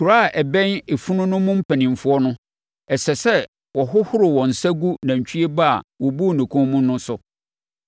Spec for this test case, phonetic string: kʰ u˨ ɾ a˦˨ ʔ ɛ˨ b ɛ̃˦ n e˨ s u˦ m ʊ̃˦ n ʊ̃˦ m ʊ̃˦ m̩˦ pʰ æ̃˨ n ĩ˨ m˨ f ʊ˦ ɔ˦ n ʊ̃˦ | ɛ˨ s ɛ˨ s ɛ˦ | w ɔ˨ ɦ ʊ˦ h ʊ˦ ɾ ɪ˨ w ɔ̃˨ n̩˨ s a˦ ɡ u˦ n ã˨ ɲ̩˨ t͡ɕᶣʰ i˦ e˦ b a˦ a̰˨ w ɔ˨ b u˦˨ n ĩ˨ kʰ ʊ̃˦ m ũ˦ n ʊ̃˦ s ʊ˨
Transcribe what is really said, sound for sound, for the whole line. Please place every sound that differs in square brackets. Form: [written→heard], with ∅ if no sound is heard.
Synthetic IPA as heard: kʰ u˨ ɾ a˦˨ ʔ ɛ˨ b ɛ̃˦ n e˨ [s→f] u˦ [m→n] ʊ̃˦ n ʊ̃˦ m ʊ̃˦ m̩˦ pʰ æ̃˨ n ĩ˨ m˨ f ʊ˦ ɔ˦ n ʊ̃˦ | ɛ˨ s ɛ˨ s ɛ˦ | w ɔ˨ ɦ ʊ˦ h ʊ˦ ɾ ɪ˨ w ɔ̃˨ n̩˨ s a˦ ɡ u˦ n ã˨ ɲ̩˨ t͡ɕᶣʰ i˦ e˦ b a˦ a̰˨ w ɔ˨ b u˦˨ n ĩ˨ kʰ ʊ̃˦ m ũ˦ n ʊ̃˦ s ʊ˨

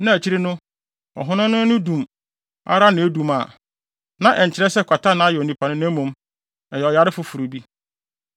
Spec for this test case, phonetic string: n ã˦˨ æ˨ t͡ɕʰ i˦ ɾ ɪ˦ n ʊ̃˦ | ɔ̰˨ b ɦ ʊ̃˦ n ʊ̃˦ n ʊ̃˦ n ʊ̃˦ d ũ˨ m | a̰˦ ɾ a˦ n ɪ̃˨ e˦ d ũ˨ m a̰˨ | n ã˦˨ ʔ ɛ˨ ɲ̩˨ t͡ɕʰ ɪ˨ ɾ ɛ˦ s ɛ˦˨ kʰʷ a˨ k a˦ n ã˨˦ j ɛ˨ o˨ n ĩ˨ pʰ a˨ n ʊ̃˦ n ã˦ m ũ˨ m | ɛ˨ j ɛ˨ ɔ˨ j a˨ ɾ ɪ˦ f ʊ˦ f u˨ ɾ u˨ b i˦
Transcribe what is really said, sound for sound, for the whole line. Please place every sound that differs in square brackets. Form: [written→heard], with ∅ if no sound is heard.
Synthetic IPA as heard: n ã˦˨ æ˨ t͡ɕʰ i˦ ɾ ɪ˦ n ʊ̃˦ | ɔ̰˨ [b→∅] ɦ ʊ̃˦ n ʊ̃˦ n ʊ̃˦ n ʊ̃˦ d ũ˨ m | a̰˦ ɾ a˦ n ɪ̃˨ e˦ d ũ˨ m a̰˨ | n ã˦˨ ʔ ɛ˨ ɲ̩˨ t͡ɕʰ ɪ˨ ɾ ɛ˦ s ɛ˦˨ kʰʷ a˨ [k→t] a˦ n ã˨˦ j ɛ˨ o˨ n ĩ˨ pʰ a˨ n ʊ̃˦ n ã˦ m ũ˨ m | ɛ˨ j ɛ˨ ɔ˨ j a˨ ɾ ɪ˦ f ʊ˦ f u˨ ɾ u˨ b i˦

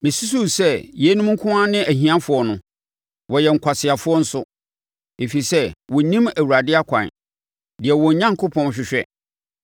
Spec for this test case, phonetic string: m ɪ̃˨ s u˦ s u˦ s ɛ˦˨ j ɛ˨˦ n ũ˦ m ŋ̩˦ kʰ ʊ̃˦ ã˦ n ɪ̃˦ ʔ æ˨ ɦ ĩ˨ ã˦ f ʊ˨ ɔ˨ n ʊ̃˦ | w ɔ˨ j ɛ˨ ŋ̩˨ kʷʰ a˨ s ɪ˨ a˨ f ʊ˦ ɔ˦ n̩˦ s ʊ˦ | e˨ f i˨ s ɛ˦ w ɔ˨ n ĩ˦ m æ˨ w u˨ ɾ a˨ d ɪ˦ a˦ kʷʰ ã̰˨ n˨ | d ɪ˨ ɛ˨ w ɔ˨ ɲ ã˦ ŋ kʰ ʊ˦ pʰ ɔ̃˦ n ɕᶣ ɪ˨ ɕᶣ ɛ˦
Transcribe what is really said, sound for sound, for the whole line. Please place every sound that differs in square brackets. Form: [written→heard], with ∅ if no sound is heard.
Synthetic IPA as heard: m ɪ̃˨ s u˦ s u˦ s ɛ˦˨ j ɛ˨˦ n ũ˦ m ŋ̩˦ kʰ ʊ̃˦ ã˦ n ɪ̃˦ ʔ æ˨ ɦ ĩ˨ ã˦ f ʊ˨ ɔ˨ n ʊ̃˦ | w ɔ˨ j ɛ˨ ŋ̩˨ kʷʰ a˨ s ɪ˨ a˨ f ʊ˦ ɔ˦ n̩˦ s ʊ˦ | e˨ f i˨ s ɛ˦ w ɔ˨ n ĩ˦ m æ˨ w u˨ ɾ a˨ d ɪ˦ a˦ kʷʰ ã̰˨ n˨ | d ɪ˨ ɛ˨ w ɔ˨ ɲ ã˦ ŋ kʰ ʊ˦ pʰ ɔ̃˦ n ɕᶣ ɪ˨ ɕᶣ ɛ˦

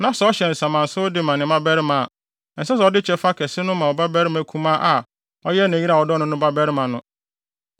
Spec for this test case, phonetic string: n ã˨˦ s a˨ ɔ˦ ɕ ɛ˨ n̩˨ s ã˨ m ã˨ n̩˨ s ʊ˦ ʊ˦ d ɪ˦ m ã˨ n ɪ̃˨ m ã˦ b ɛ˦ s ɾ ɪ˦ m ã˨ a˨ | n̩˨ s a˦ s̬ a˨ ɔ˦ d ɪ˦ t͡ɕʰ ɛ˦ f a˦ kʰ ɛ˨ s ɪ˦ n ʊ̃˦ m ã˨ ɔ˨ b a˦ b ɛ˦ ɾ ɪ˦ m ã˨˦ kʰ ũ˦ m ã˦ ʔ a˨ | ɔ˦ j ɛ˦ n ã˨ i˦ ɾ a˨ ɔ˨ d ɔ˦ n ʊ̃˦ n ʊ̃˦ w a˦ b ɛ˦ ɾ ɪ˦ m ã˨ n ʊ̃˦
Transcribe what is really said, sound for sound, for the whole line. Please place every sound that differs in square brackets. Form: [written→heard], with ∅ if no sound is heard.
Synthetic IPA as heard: n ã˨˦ s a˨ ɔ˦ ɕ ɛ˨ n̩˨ s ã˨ m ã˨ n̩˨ s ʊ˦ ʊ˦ d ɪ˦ m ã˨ n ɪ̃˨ m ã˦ b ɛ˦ [s→∅] ɾ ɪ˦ m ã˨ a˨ | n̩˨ s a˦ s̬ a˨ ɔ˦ d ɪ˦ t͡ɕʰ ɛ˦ f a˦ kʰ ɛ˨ s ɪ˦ n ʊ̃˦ m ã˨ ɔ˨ b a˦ b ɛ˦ ɾ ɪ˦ m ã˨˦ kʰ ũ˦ m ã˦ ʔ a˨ | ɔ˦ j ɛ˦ n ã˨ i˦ ɾ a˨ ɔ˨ d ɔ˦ n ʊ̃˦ n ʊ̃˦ [w→b] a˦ b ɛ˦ ɾ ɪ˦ m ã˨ n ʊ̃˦

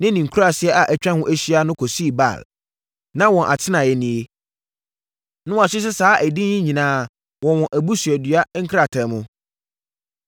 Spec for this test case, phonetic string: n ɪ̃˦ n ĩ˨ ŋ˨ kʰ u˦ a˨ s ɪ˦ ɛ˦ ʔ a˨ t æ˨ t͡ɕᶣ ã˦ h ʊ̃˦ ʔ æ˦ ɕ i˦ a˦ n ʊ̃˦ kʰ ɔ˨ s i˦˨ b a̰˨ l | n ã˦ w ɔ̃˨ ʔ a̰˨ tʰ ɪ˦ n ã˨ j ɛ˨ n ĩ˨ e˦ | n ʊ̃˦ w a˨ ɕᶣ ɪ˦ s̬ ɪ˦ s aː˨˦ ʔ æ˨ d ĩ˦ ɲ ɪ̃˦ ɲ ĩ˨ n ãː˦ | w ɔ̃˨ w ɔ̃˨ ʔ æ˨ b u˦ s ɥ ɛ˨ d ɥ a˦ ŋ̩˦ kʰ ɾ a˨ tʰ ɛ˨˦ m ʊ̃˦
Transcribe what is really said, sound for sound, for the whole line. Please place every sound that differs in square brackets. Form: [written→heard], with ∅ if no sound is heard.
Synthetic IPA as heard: n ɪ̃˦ n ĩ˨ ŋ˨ kʰ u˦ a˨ s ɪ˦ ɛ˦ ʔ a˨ [t→ʔ] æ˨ t͡ɕᶣ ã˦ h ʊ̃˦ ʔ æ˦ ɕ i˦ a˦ n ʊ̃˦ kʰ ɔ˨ s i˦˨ b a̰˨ l | n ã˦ w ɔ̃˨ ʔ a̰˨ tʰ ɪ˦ n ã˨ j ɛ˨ n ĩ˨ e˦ | n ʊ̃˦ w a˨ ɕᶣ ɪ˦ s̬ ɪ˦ s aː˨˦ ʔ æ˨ d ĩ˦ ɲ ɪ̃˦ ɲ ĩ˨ n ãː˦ | w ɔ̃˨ w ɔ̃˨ ʔ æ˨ b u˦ s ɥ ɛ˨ d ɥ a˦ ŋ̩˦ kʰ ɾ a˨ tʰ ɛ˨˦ m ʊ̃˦

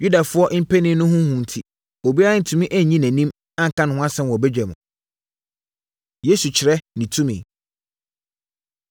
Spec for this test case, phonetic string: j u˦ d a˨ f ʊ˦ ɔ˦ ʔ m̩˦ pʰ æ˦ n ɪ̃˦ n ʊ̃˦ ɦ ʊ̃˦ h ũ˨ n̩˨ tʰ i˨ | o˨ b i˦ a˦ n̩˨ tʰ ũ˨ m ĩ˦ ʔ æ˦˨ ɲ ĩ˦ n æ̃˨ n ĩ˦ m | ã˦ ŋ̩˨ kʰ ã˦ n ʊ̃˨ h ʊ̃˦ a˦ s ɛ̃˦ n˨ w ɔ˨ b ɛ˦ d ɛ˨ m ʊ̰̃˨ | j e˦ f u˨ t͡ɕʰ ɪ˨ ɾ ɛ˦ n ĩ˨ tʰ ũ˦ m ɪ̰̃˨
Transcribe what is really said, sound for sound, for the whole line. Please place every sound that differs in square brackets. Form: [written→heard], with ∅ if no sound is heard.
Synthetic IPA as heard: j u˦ d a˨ f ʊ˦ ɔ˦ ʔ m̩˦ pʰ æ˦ n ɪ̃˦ n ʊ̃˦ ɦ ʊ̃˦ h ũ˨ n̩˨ tʰ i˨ | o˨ b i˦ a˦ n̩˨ tʰ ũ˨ m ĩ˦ ʔ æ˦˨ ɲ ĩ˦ n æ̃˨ n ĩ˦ m | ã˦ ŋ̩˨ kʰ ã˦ n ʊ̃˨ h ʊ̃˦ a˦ s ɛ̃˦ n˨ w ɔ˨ b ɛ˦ [d→d͡ʑᶣ] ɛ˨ m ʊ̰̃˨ | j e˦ [f→s] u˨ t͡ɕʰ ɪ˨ ɾ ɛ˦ n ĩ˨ tʰ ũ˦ m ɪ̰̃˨

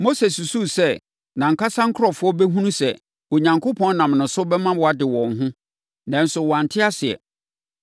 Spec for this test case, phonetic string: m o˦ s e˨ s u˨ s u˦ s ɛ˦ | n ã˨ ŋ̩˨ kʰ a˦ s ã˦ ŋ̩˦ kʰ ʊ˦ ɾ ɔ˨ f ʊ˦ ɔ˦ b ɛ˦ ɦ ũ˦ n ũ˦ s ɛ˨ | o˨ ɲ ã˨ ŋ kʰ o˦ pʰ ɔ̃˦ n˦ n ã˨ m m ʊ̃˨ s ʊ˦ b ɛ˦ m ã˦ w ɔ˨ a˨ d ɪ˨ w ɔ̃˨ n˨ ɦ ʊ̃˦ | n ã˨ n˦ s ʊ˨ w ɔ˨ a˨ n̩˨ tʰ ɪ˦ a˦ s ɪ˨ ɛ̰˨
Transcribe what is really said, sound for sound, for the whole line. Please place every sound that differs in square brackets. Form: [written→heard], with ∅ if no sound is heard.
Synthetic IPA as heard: m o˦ s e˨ s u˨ s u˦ s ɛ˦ | n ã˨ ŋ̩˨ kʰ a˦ s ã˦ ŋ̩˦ kʰ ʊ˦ ɾ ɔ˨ f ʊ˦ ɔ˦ b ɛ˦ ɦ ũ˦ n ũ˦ s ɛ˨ | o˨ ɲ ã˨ ŋ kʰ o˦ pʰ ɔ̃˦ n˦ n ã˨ m [m→n] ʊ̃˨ s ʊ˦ b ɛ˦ m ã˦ w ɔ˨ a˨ d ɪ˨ w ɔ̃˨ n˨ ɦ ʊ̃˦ | n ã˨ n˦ s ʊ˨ w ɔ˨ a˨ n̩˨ tʰ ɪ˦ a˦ s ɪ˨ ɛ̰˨

